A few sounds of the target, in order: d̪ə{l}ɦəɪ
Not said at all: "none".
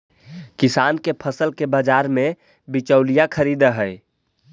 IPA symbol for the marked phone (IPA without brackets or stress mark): none